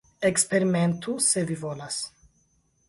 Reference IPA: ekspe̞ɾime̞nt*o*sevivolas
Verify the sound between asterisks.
incorrect: u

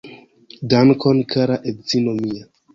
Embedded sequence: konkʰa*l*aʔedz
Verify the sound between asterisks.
incorrect: ɾ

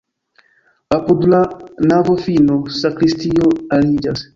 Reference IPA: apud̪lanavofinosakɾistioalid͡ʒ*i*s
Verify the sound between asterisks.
incorrect: a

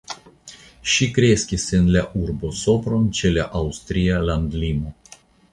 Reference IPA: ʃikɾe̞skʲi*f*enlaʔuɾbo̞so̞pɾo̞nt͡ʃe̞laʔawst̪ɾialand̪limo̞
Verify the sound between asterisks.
incorrect: s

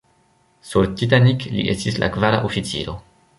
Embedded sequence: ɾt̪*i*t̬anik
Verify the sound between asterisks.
correct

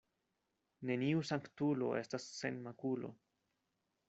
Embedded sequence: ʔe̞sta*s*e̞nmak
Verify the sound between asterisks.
incorrect: sː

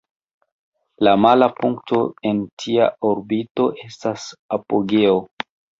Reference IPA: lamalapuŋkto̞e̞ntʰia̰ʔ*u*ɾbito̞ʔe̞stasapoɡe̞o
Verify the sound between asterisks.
incorrect: o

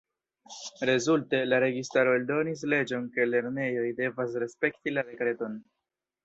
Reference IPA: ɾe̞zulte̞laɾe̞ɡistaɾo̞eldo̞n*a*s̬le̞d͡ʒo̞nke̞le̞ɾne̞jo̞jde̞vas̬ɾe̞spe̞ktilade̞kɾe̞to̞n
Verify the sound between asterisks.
incorrect: i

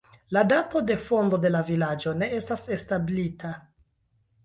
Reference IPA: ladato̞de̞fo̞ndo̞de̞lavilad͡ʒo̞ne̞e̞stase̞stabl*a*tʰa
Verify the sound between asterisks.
incorrect: i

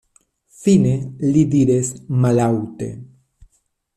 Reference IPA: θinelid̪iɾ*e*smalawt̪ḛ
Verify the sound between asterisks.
correct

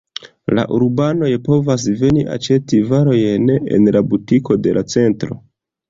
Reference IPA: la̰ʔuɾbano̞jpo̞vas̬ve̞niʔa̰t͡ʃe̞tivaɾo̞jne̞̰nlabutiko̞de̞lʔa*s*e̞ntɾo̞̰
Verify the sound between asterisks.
incorrect: t͡s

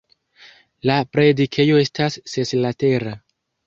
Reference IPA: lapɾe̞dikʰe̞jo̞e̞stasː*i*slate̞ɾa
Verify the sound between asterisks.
incorrect: e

